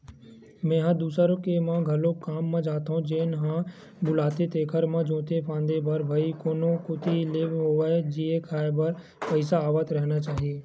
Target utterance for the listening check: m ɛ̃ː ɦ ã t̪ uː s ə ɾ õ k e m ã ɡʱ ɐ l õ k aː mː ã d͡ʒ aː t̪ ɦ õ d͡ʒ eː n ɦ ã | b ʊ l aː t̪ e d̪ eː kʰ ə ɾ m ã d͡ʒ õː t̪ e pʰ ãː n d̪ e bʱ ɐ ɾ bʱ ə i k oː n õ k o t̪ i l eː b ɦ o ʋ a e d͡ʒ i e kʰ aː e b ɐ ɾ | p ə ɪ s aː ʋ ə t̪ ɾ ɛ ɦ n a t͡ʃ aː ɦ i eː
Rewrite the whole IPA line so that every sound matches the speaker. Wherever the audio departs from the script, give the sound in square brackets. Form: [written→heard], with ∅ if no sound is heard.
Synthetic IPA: m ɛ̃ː ɦ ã [t̪→d̪] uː s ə ɾ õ k e m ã ɡʱ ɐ l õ k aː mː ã d͡ʒ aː t̪ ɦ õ d͡ʒ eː n ɦ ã | b ʊ l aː t̪ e [d̪→t̪] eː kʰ ə ɾ m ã d͡ʒ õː t̪ e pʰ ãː n d̪ e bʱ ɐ ɾ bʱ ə i k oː n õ k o t̪ i l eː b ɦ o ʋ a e d͡ʒ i e kʰ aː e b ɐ ɾ | p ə ɪ s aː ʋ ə t̪ ɾ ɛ ɦ n a t͡ʃ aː ɦ i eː